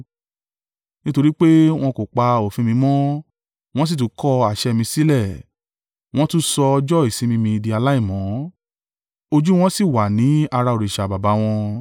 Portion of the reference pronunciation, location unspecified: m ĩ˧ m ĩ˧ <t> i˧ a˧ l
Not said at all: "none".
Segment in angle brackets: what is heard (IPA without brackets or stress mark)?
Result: d